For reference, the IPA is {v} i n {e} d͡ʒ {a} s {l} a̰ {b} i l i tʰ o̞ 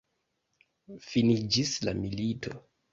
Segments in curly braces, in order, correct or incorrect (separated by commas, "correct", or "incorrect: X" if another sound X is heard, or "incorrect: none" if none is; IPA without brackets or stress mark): incorrect: f, incorrect: i, incorrect: i, correct, incorrect: m